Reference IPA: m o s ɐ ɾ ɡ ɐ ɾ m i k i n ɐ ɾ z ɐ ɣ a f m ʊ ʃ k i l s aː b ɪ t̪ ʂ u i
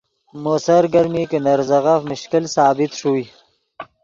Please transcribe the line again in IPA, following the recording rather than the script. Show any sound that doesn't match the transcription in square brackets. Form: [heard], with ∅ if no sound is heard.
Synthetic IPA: m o s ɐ ɾ ɡ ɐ ɾ m i k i n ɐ ɾ z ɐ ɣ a f m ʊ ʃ k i l s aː b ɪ t̪ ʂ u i